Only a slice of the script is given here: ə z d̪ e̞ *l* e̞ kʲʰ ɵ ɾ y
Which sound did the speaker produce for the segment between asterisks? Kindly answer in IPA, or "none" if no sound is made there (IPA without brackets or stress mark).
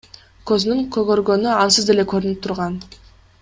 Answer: l